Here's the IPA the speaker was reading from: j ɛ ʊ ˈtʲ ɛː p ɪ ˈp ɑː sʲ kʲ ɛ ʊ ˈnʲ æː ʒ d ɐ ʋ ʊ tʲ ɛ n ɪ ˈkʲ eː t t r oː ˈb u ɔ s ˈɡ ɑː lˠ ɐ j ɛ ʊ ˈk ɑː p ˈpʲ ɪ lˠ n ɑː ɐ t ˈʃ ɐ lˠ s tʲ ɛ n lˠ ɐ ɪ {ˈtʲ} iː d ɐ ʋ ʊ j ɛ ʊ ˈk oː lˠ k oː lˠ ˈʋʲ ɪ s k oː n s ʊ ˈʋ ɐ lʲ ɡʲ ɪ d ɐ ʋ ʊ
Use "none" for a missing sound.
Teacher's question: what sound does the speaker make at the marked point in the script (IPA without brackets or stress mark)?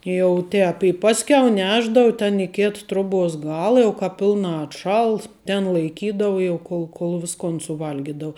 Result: kʲ